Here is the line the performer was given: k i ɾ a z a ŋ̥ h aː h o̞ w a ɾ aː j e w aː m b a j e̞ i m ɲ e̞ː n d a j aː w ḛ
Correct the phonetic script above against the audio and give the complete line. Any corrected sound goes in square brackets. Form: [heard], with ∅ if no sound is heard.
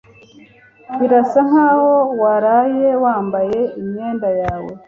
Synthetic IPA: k i ɾ a [s] a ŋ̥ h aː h o̞ w a ɾ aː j e w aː m b a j e̞ i m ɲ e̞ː n d a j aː w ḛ